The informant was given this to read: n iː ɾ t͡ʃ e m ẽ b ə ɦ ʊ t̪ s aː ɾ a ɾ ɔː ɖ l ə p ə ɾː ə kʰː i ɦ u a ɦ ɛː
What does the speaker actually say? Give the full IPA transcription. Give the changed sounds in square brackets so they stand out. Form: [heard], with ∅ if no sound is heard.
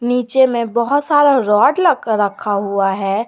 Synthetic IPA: n iː [∅] t͡ʃ e m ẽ b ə ɦ ʊ t̪ s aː ɾ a ɾ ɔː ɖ l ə [k] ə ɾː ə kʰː [a] ɦ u a ɦ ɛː